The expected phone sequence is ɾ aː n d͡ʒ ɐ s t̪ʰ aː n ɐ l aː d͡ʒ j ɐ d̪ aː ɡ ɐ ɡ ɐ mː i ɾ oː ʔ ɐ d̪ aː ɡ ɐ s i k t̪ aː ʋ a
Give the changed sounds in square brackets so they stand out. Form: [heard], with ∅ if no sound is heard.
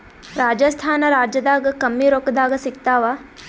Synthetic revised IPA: ɾ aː [∅] d͡ʒ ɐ s t̪ʰ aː n ɐ [ɾ] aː d͡ʒ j ɐ d̪ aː ɡ ɐ [k] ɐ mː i ɾ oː [k] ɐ d̪ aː ɡ ɐ s i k t̪ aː ʋ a